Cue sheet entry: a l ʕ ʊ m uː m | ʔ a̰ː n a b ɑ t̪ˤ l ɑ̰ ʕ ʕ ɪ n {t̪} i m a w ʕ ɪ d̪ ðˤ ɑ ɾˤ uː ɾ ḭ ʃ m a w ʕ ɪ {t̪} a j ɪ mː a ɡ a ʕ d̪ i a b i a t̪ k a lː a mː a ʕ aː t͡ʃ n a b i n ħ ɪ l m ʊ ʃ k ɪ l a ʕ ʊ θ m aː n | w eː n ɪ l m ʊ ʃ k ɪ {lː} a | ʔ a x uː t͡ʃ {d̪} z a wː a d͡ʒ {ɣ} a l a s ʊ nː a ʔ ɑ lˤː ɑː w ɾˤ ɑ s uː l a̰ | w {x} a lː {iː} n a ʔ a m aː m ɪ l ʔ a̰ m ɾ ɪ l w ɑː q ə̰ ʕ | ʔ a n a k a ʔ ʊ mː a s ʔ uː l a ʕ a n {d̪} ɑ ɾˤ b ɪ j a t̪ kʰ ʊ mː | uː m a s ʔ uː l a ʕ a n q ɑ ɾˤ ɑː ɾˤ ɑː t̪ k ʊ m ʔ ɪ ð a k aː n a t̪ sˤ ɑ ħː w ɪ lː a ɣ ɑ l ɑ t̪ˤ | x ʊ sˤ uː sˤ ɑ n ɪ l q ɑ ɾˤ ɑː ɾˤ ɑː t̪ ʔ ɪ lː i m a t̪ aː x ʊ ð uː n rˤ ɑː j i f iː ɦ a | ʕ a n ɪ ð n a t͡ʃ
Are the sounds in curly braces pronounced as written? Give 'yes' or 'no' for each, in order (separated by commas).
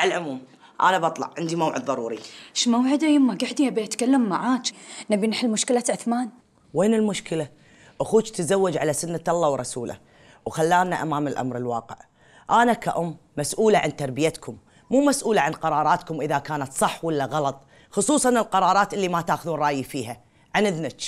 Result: no, no, no, no, no, yes, no, no